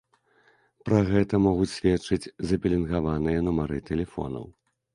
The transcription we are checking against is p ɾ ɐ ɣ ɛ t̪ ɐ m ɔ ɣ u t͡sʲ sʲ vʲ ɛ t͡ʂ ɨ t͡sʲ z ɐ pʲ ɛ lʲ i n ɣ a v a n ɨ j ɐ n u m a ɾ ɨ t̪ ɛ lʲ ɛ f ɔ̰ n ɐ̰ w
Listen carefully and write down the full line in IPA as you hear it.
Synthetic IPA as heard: p ɾ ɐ ɣ ɛ t̪ ɐ m ɔ ɣ u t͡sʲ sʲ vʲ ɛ t͡ʂ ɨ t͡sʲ z ɐ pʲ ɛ lʲ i n ɣ a v a n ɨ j ɐ n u m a ɾ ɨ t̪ ɛ lʲ ɛ f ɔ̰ n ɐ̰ w